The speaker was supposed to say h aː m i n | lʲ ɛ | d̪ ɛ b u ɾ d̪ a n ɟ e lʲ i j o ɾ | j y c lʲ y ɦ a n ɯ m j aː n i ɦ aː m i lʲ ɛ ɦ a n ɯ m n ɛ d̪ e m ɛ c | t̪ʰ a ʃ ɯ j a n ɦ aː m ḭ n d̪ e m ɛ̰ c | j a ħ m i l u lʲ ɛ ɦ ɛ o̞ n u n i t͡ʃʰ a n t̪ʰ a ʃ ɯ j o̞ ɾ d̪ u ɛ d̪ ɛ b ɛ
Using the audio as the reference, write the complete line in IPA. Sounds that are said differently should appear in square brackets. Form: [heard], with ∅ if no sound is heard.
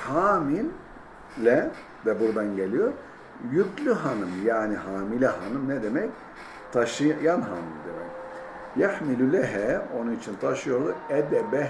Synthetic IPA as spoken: h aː m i n | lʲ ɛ | d̪ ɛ b u ɾ d̪ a n ɟ e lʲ i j o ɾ | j y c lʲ y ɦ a n ɯ m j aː n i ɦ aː m i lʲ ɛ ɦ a n ɯ m n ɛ d̪ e m ɛ c | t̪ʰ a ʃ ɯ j a n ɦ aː m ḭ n d̪ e m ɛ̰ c | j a ħ m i l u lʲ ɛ ɦ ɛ o̞ n u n i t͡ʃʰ [i] n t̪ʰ a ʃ ɯ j o̞ ɾ d̪ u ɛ d̪ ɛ b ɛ

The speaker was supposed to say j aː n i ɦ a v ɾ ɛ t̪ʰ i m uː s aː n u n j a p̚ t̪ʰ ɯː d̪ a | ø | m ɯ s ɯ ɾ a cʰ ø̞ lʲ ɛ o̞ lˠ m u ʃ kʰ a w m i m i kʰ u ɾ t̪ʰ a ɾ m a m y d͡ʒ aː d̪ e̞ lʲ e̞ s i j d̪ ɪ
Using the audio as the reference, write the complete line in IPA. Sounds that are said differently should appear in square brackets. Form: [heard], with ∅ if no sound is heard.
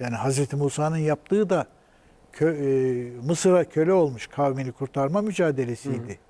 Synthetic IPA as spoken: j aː n i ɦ a [z] ɾ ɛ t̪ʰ i m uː s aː n [ɯ] n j a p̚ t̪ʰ ɯː d̪ a | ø | m ɯ s ɯ ɾ a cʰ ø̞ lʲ ɛ o̞ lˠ m u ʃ kʰ a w m i [n] i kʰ u ɾ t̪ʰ a ɾ m a m y d͡ʒ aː d̪ e̞ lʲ e̞ s i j d̪ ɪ

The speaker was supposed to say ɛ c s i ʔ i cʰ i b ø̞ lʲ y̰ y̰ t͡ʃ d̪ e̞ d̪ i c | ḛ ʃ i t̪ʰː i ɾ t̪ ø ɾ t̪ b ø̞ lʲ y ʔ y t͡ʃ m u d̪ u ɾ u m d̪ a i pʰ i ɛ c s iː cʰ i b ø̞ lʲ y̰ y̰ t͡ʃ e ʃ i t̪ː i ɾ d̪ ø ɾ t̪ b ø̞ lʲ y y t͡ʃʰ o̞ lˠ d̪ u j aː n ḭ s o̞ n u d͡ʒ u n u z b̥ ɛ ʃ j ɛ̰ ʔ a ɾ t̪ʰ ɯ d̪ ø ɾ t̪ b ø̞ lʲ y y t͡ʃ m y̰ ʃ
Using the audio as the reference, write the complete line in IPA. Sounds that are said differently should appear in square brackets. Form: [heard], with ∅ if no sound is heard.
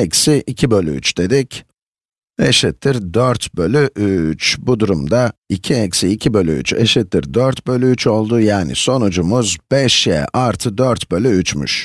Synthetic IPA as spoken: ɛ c s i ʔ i cʰ i b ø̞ lʲ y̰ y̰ t͡ʃ d̪ e̞ d̪ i c | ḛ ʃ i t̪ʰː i ɾ [d̪] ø ɾ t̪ b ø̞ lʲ y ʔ y t͡ʃ [b] u d̪ u ɾ u m d̪ a i [cʰ] i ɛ c s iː cʰ i b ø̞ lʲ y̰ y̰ t͡ʃ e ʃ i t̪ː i ɾ d̪ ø ɾ t̪ b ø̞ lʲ y y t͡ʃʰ o̞ lˠ d̪ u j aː n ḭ s o̞ n u d͡ʒ u [m] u z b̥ ɛ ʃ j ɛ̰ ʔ a ɾ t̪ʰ ɯ d̪ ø ɾ t̪ b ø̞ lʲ y y t͡ʃ m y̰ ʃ

